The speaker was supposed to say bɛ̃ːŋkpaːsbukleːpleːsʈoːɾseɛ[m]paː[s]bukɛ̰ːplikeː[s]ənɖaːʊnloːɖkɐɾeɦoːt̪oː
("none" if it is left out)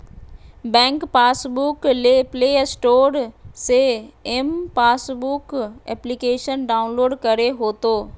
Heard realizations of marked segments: m, s, ʃ

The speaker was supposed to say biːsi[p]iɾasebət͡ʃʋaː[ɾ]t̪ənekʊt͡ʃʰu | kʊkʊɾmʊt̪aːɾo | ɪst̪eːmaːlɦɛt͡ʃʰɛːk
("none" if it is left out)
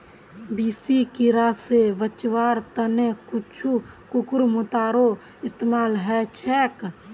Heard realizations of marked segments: k, ɾ

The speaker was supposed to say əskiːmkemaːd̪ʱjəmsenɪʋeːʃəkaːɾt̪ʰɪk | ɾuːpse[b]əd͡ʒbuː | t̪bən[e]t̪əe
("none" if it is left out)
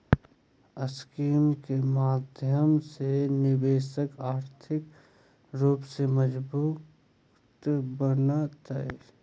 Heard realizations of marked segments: m, a

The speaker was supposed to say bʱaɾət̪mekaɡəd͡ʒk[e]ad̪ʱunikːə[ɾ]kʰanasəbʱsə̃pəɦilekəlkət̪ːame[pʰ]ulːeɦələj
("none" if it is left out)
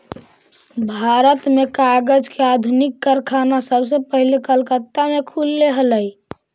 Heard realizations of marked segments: e, ɾ, kʰ

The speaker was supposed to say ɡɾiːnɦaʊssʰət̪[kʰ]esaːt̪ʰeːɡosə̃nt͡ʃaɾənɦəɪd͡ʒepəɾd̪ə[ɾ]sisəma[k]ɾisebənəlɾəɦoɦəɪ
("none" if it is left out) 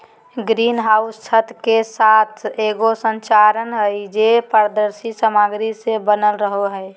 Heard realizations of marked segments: k, ɾ, ɡ

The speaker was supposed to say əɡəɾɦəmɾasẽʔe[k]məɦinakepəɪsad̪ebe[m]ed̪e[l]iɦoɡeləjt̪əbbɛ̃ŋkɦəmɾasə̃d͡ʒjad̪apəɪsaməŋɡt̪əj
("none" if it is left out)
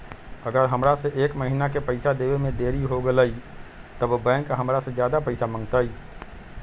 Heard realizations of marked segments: k, m, ɾ

